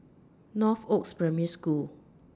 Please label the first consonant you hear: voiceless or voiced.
voiced